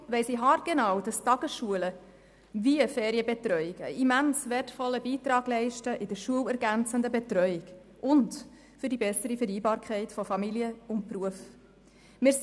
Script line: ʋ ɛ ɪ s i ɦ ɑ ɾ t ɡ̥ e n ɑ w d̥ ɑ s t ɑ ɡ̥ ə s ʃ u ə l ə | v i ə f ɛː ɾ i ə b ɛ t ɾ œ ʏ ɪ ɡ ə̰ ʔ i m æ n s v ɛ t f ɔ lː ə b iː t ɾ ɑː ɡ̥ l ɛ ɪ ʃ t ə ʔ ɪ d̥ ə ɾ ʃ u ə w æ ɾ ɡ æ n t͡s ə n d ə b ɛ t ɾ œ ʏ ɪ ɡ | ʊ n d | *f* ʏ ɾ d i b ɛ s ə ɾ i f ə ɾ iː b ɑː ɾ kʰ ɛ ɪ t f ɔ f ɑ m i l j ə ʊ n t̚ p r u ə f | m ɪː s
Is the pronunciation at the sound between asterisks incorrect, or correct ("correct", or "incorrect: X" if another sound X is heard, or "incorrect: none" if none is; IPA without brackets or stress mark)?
correct